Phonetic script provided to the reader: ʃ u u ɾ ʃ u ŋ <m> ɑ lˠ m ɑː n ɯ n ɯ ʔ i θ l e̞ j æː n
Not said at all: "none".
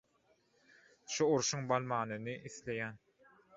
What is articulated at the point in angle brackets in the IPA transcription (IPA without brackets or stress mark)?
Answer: b